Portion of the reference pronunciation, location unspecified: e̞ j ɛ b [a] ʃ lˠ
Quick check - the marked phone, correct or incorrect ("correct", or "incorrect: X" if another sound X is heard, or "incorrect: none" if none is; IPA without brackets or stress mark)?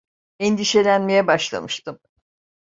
correct